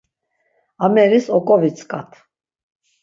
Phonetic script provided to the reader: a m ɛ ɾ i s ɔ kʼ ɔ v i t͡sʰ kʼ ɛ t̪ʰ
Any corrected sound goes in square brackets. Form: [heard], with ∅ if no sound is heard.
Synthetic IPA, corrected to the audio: a m ɛ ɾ i s ɔ kʼ ɔ v i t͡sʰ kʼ [a] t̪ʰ